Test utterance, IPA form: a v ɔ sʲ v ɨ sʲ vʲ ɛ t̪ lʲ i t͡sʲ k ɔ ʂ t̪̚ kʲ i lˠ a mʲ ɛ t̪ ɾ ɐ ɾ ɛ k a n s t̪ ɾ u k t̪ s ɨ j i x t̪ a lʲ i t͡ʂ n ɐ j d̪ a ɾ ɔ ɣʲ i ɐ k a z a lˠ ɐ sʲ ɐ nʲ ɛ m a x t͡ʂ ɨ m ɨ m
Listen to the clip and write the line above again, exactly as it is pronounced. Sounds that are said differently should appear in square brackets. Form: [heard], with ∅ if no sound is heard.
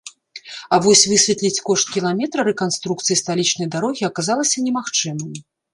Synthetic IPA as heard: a v ɔ sʲ v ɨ sʲ vʲ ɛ t̪ lʲ i t͡sʲ k ɔ ʂ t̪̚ kʲ i lˠ a mʲ ɛ t̪ ɾ ɐ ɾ ɛ k a n s t̪ ɾ u k t̪ s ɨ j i [s] t̪ a lʲ i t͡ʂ n ɐ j d̪ a ɾ ɔ ɣʲ i ɐ k a z a lˠ ɐ sʲ ɐ nʲ ɛ m a x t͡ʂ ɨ m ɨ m